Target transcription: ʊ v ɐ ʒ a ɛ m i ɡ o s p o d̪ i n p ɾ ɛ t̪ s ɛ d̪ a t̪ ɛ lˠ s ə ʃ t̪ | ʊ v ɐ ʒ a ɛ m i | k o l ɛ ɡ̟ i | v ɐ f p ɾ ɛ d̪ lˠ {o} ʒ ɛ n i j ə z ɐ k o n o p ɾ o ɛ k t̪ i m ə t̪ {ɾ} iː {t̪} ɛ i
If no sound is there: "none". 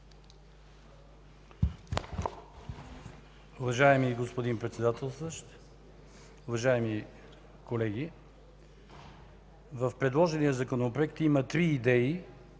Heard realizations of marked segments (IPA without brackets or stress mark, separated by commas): ɔ, ɾ, d̪